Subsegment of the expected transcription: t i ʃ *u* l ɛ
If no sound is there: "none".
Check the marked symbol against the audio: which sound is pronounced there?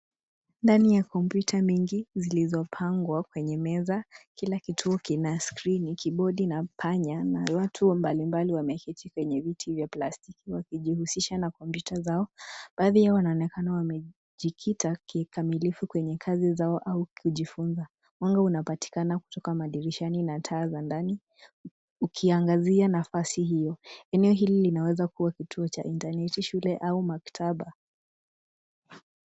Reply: u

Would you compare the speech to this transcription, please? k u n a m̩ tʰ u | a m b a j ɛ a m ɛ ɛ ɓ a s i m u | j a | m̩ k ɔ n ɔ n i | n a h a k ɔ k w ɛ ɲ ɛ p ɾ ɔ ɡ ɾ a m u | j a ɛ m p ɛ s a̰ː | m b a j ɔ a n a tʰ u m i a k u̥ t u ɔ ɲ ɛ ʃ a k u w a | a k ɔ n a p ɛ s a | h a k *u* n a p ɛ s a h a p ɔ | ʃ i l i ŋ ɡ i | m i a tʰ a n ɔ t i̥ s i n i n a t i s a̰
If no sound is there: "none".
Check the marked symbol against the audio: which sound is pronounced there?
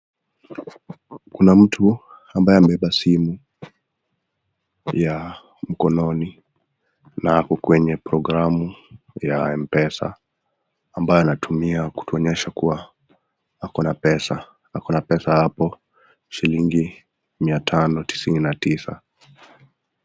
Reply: ɔ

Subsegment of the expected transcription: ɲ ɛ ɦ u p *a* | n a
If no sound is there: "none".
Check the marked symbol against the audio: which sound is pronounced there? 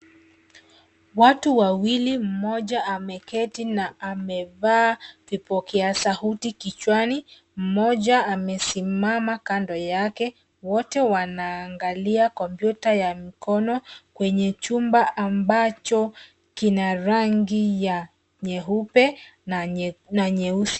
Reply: ɛ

